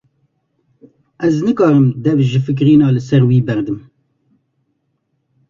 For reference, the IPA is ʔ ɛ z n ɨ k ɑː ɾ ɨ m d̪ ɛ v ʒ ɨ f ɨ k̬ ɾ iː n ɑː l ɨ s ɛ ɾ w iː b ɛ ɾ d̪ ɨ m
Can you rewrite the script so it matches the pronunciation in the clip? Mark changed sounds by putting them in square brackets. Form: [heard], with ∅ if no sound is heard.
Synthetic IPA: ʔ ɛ z n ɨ k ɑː ɾ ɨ m d̪ ɛ v ʒ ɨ f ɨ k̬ ɾ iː n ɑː l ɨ s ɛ ɾ w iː b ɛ ɾ d̪ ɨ m